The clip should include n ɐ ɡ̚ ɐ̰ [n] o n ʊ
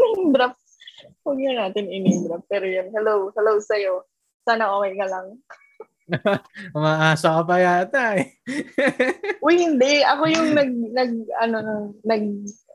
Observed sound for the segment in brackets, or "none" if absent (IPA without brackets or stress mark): n